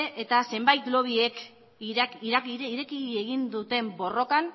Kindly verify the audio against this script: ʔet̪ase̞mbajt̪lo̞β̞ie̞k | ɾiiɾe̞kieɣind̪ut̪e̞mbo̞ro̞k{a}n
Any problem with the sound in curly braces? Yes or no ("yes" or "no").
no